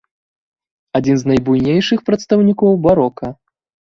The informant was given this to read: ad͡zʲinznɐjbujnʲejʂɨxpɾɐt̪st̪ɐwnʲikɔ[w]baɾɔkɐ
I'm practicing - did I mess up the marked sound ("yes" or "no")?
no